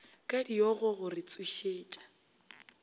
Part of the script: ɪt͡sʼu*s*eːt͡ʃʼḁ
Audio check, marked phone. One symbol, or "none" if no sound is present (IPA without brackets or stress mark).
ʃ